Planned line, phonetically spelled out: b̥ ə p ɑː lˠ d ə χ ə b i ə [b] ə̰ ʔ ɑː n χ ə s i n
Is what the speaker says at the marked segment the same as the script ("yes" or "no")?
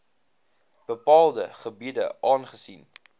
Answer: no